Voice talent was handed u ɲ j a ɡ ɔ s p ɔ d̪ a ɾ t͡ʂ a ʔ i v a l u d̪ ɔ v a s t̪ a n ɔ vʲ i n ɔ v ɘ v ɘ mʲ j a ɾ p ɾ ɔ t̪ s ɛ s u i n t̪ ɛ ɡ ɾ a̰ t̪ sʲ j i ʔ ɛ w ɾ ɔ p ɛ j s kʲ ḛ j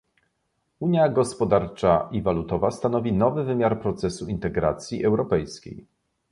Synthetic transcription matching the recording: u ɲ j a ɡ ɔ s p ɔ d̪ a ɾ t͡ʂ a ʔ i v a l u t̪ ɔ v a s t̪ a n ɔ vʲ i n ɔ v ɘ v ɘ mʲ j a ɾ p ɾ ɔ t̪ s ɛ s u i n t̪ ɛ ɡ ɾ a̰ t̪ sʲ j i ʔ ɛ w ɾ ɔ p ɛ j s kʲ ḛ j